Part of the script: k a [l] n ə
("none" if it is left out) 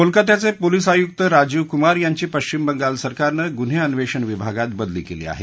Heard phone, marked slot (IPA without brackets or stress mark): ɾ